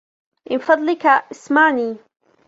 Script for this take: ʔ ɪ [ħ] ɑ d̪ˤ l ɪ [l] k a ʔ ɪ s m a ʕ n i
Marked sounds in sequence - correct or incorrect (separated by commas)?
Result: incorrect, incorrect